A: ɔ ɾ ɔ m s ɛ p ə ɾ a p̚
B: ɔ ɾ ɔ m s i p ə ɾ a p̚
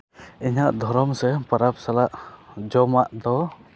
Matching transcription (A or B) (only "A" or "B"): A